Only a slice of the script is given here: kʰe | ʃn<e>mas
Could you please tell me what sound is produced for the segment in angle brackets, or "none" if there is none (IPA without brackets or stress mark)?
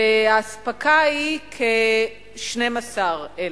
e